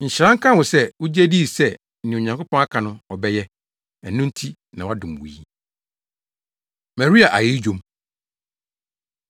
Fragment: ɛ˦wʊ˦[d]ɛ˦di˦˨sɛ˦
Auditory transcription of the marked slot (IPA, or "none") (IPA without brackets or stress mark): d͡ʑ